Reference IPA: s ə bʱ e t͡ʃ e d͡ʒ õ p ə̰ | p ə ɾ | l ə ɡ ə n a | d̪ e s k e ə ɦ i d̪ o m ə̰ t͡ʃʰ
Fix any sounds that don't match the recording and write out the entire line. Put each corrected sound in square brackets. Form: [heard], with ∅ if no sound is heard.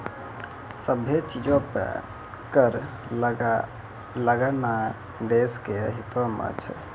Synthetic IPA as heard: s ə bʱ e t͡ʃ [i] d͡ʒ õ p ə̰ | [k] ə ɾ | l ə ɡ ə n a | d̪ e s k e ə ɦ i [t̪] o m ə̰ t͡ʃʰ